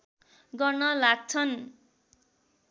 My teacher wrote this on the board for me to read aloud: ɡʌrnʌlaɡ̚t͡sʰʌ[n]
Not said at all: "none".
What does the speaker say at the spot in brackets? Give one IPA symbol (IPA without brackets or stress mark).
n